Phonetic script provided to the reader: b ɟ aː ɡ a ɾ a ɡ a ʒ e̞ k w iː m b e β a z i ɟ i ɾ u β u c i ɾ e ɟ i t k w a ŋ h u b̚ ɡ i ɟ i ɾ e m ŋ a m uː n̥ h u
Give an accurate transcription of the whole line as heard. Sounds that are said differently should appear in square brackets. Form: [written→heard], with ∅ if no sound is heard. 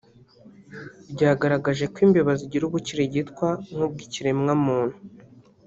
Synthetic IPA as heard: b ɟ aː ɡ a ɾ a ɡ a ʒ e̞ k w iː m b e β a z i ɟ i ɾ u β u c i ɾ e ɟ i t k w a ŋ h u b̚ ɡ i [ɟ→c] i ɾ e m ŋ a m uː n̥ h u